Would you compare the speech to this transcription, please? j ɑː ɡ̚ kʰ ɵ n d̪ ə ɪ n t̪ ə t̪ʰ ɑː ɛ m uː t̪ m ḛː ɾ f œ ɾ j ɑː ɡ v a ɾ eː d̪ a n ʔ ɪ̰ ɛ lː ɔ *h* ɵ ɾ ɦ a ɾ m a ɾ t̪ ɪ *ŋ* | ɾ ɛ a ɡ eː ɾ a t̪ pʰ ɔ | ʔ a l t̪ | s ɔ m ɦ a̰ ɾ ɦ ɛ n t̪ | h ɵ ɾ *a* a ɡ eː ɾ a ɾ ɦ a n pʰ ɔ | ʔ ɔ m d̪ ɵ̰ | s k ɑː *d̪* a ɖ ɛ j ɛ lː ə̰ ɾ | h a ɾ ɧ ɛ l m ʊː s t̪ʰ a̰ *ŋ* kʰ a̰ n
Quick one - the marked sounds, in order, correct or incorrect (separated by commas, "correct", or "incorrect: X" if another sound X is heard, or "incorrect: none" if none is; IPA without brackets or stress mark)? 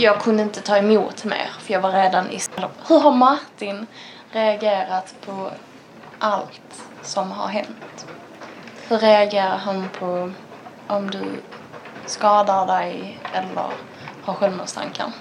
correct, incorrect: n, incorrect: ɛ, correct, correct